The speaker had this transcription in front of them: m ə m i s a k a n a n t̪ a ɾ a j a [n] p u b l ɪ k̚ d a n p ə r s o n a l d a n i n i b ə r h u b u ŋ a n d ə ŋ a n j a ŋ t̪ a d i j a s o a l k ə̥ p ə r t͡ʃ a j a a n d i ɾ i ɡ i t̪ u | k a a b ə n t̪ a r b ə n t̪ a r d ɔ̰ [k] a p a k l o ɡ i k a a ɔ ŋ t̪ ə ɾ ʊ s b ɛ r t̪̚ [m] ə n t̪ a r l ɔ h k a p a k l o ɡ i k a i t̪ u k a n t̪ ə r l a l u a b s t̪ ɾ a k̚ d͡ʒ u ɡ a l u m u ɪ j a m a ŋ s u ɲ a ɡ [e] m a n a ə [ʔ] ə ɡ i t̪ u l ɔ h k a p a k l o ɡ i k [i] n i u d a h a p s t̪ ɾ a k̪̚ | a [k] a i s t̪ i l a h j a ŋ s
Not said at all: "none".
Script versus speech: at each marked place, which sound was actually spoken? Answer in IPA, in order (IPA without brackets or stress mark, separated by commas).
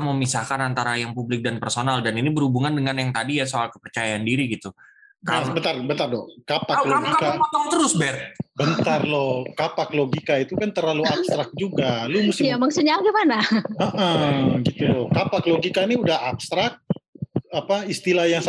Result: ŋ, k, b, i, ʔ, a, p